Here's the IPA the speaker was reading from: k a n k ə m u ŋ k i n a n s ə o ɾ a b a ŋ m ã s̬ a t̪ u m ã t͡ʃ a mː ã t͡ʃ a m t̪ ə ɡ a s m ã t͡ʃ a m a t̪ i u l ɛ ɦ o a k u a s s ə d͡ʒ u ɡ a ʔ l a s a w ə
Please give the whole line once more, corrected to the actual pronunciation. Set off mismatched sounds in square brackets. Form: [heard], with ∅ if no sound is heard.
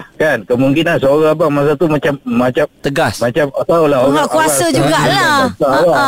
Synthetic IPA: k a n k ə m u ŋ k i n a n s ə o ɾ a b a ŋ m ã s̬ a t̪ u m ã t͡ʃ a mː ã t͡ʃ a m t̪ ə ɡ a s m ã t͡ʃ a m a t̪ [a] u l [a] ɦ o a k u a s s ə d͡ʒ u ɡ a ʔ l a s a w [a]